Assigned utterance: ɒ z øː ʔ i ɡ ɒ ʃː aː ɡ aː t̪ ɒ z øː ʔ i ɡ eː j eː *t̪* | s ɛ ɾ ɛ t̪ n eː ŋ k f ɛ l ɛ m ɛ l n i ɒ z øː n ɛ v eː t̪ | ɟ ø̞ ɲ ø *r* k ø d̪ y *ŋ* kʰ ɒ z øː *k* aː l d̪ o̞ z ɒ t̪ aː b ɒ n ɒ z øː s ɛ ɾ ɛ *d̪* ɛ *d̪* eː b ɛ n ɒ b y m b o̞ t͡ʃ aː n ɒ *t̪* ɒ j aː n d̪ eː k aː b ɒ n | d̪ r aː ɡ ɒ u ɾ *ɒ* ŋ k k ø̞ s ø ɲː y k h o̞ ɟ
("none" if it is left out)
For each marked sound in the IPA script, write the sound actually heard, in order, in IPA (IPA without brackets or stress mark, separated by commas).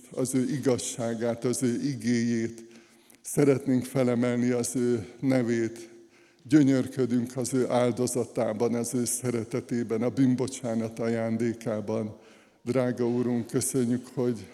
t̪, r, ŋ, ʔ, t̪, t̪, t̪, u